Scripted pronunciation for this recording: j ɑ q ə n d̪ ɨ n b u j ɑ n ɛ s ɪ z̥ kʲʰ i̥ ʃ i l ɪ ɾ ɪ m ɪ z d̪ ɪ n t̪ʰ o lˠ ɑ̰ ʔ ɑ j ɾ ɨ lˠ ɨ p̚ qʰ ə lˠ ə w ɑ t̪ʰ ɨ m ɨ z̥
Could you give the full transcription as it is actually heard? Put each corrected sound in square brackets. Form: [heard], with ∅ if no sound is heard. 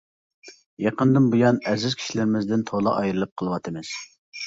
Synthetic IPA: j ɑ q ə n d̪ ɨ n b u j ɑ n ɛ [z] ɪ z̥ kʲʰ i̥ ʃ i l ɪ ɾ ɪ m ɪ z d̪ ɪ n t̪ʰ o lˠ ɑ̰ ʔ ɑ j ɾ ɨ lˠ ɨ p̚ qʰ ə lˠ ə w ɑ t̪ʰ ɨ m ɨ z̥